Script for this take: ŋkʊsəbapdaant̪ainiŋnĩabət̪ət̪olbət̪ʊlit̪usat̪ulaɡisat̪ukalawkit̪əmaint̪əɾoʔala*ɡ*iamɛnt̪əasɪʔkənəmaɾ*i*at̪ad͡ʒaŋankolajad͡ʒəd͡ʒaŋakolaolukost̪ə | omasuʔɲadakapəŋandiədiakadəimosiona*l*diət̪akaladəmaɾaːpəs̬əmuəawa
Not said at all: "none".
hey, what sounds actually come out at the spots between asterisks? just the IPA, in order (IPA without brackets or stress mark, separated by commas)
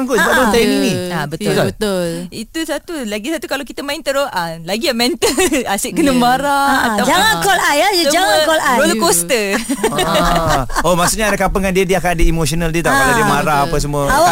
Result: ɡ, a, l